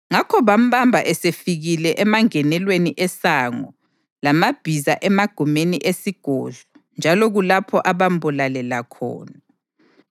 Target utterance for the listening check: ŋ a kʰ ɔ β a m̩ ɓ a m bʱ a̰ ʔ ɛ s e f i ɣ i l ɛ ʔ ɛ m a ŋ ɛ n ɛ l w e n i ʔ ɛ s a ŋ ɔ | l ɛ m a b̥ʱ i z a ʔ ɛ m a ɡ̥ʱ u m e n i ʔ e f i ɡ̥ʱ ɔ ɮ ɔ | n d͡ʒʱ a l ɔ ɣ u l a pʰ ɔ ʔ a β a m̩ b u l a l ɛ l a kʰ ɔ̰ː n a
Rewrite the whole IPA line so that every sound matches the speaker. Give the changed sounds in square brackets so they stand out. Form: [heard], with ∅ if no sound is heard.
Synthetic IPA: ŋ a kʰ ɔ β a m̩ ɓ a m bʱ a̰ ʔ ɛ s e f i ɣ i l ɛ ʔ ɛ m a ŋ ɛ n ɛ l w e n i ʔ ɛ s a ŋ ɔ | l [a] m a b̥ʱ i z a ʔ ɛ m a ɡ̥ʱ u m e n i ʔ e [s] i ɡ̥ʱ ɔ ɮ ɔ | n d͡ʒʱ a l ɔ ɣ u l a pʰ ɔ ʔ a β a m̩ b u l a l ɛ l a kʰ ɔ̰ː n a